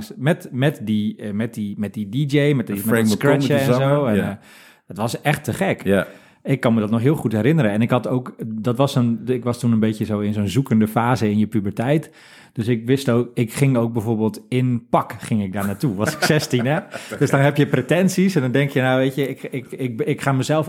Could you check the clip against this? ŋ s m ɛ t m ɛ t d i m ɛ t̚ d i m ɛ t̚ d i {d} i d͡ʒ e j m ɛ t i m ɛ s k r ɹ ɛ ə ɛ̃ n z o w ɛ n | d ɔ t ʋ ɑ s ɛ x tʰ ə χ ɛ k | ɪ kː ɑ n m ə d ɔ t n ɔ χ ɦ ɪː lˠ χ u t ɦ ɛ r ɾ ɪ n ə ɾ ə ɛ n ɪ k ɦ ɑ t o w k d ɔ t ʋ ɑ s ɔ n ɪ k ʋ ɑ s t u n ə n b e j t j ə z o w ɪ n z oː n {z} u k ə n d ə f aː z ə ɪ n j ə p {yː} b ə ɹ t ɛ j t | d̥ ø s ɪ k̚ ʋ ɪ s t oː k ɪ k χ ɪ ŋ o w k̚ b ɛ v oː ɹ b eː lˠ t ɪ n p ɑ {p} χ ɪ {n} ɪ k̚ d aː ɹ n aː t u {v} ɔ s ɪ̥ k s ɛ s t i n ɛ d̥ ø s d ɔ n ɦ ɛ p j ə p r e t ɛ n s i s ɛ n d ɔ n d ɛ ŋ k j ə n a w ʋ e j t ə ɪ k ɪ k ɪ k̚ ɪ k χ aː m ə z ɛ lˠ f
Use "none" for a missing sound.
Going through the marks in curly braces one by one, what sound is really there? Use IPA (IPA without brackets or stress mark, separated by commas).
d, z, y, k, ŋ, ʋ